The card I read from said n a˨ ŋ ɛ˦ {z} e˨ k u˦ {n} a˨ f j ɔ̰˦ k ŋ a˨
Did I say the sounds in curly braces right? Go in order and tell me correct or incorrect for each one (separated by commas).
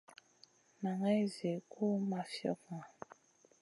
correct, incorrect